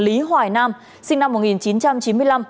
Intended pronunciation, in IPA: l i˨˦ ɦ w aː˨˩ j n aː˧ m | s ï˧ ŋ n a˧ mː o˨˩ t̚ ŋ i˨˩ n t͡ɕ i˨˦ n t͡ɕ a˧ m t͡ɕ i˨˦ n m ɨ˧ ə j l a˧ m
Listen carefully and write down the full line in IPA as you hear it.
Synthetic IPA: l i˨˦ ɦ w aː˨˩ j n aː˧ m | s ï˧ ŋ n a˧ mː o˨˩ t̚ ŋ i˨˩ n t͡ɕ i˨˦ n t͡ɕ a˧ m t͡ɕ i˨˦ n m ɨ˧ ə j l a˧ m